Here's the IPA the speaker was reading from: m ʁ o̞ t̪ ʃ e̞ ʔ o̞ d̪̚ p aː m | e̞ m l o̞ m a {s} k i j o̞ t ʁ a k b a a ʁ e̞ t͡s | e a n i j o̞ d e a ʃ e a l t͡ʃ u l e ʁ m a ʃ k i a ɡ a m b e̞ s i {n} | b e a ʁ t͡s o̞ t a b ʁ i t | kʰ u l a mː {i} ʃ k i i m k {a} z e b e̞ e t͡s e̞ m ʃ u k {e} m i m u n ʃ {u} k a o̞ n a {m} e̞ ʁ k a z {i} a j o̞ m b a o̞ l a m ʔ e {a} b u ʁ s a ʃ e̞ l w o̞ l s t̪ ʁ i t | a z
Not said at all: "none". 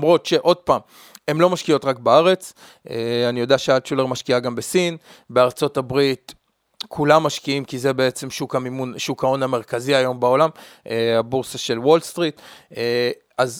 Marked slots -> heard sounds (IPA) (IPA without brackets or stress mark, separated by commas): ʃ, n, a, i, a, u, m, i, a